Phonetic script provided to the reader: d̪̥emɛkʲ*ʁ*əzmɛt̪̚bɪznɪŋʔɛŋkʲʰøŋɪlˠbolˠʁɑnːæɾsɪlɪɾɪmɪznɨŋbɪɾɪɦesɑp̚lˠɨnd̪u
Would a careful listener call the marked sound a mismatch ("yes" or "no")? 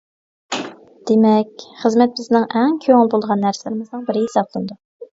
yes